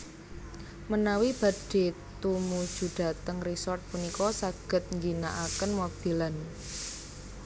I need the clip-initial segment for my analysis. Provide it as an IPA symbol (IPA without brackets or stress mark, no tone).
m